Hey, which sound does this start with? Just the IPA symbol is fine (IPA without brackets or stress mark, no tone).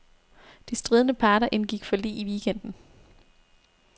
d̥